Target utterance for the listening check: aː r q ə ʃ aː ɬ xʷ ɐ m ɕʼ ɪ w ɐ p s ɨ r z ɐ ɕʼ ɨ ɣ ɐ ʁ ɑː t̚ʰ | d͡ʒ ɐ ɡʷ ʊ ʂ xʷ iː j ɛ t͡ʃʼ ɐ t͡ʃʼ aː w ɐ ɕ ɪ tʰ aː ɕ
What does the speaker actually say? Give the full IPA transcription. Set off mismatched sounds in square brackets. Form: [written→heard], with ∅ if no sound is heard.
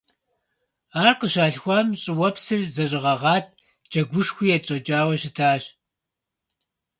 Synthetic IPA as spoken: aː r q ə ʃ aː ɬ xʷ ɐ m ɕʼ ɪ w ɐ p s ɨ r z ɐ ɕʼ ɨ [ɣ→ʁ] ɐ ʁ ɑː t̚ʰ | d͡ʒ ɐ ɡʷ ʊ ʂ xʷ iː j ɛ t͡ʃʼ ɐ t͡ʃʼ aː w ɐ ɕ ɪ tʰ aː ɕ